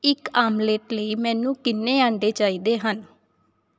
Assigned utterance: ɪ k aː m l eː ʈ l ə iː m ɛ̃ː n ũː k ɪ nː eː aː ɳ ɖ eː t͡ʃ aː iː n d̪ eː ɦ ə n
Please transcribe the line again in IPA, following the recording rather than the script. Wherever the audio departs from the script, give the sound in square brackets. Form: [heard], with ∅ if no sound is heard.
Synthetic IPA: ɪ k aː m l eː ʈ l ə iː m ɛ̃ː n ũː k ɪ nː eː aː ɳ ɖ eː t͡ʃ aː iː [∅] d̪ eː ɦ ə n